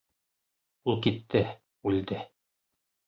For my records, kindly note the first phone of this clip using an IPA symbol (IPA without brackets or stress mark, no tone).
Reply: u